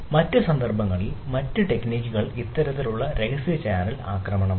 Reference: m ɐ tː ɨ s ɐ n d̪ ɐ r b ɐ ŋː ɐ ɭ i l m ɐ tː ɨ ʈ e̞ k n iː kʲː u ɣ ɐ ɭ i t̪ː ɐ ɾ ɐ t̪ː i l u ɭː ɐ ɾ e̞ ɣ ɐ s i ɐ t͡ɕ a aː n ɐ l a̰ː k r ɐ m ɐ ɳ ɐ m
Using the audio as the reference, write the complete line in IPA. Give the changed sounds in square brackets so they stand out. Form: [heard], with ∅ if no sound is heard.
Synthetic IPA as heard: m ɐ tː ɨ s ɐ n d̪ ɐ r b ɐ ŋː ɐ ɭ i l m ɐ tː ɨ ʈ e̞ k n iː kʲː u ɣ ɐ ɭ i t̪ː ɐ ɾ ɐ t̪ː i l u ɭː ɐ ɾ e̞ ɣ ɐ s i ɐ t͡ɕ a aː n ɐ l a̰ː k r ɐ m ɐ ɳ ɐ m